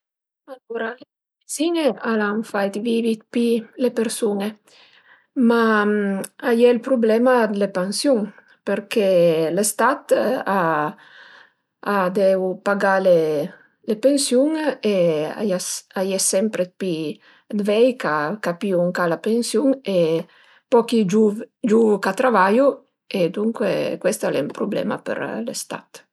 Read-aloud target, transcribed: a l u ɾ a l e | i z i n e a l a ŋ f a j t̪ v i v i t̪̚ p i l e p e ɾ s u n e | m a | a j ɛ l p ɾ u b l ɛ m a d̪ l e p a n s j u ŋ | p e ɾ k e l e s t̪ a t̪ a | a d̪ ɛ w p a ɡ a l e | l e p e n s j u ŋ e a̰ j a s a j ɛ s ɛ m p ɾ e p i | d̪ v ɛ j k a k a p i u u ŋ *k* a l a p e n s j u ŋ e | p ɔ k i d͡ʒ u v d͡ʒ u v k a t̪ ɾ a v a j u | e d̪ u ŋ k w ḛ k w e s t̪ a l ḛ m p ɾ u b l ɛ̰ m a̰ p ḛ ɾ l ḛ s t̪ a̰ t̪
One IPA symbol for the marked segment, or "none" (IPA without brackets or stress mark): k